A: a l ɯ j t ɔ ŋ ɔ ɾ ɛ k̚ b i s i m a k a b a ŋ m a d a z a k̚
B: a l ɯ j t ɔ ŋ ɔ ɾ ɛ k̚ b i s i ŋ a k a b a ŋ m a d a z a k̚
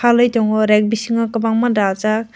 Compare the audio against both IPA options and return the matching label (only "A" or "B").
B